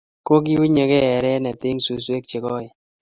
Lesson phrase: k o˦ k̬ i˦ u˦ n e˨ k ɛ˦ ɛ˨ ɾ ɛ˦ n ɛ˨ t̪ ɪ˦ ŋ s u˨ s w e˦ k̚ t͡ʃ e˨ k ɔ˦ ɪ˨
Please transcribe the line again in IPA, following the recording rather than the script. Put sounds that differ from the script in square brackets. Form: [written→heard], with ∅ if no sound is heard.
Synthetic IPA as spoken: k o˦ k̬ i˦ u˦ [n→ɲ] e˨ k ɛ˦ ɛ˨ ɾ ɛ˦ n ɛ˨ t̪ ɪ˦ ŋ s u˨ s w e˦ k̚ t͡ʃ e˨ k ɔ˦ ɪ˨